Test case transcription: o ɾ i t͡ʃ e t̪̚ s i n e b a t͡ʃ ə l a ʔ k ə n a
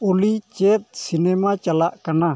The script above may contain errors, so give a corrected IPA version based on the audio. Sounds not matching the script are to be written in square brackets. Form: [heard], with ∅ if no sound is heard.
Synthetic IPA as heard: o [l] i t͡ʃ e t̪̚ s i n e [m] a t͡ʃ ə l a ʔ k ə n a